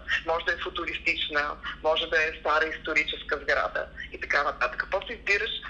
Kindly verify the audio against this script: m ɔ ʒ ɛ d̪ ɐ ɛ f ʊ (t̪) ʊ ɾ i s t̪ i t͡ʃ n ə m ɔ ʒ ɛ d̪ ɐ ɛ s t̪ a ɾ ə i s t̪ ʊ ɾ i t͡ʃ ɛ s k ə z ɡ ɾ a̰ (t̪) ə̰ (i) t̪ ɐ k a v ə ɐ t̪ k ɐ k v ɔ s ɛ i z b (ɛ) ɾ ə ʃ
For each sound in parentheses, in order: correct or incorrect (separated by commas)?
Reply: correct, incorrect, correct, incorrect